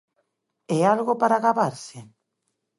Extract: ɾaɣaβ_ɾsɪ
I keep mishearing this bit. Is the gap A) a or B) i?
A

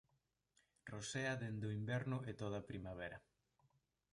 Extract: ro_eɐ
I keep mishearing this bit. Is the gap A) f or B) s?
B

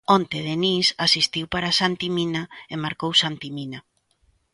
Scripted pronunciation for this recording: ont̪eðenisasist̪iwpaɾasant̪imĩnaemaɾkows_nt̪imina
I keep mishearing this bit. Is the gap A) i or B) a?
B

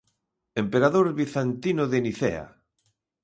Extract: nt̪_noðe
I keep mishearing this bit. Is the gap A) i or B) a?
A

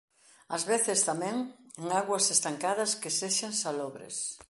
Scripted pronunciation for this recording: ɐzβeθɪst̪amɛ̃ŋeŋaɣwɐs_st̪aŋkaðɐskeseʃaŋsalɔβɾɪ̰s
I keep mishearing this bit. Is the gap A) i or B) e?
B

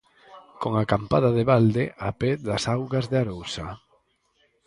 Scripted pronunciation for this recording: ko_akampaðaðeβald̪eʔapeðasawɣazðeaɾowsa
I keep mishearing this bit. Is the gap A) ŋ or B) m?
A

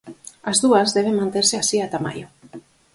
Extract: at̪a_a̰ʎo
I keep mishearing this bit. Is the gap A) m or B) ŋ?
A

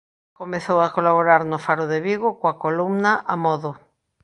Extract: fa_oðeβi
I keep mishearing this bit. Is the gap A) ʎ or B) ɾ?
B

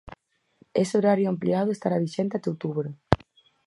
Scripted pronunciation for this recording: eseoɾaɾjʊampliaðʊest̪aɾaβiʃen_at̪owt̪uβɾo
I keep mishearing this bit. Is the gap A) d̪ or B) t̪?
B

